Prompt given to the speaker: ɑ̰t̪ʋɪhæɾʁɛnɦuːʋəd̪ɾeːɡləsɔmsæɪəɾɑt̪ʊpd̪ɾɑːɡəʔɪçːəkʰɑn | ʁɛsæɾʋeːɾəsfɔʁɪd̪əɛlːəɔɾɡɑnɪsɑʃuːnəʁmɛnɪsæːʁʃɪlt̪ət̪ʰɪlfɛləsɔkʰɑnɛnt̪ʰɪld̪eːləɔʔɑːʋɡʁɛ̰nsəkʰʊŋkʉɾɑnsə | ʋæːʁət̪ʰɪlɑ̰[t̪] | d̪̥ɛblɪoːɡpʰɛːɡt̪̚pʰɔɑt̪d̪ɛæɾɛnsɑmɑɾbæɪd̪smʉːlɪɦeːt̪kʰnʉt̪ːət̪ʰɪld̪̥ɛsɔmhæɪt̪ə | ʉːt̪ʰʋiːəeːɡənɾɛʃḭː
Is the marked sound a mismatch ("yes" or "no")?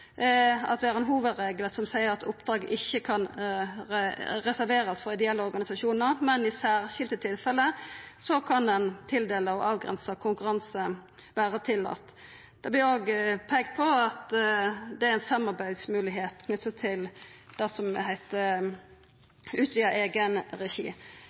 no